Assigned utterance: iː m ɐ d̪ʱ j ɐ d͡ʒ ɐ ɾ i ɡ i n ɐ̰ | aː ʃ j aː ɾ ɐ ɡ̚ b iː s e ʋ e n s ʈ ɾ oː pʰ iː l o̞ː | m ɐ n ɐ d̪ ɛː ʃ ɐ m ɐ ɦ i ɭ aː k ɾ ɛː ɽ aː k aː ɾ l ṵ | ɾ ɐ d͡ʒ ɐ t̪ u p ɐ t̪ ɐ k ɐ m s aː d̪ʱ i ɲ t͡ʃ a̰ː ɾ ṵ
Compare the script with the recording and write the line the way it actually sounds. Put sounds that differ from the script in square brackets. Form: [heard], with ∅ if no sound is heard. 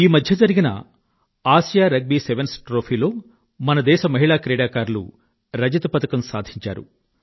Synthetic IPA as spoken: iː m ɐ d̪ʱ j ɐ d͡ʒ ɐ ɾ i ɡ i n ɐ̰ | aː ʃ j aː ɾ ɐ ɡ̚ b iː s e ʋ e n s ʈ ɾ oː pʰ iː l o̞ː | m ɐ n ɐ d̪ ɛː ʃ ɐ m ɐ ɦ i ɭ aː k ɾ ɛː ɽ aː k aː ɾ l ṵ | ɾ ɐ d͡ʒ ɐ t̪ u p ɐ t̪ ɐ k ɐ m s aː d̪ʱ i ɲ t͡ʃ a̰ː ɾ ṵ